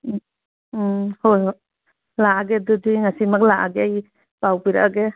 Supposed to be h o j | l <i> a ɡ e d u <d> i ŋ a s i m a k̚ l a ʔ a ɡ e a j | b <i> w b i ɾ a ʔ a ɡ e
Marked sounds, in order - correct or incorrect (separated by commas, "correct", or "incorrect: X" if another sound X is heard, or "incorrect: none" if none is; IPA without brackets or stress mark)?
incorrect: a, correct, incorrect: a